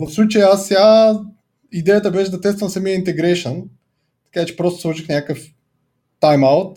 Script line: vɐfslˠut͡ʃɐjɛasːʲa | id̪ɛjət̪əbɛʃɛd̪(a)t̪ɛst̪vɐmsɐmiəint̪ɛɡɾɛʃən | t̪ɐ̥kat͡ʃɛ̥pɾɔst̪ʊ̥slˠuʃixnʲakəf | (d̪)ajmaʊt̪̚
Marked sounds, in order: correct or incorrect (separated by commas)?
incorrect, incorrect